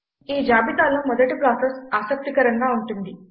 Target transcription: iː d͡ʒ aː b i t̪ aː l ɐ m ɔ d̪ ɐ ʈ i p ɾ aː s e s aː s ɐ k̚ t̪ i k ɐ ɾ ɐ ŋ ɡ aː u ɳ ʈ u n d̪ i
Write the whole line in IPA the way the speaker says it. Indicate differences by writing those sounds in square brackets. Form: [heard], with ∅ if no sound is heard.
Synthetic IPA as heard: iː d͡ʒ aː b i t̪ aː l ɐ m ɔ d̪ ɐ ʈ i p ɾ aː s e s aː s ɐ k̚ t̪ i k ɐ ɾ ɐ ŋ ɡ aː u ɳ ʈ u n d̪ i